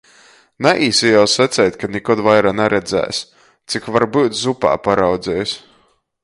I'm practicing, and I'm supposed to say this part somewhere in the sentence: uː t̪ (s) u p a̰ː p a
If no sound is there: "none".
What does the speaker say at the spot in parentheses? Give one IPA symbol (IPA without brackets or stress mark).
z